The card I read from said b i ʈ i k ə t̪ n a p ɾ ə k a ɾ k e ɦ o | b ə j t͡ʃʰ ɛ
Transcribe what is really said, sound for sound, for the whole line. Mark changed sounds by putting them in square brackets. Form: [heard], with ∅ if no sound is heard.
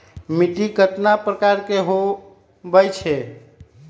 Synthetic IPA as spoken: [m] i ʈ i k ə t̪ n a p ɾ ə k a ɾ k e ɦ o | b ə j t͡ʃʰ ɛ